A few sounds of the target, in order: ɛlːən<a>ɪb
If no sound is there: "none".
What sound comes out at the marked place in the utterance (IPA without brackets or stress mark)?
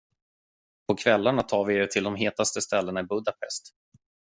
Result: a